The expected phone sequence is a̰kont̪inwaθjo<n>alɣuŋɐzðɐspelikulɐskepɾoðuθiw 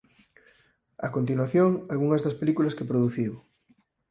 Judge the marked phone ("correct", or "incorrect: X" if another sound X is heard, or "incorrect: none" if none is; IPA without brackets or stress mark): incorrect: ŋ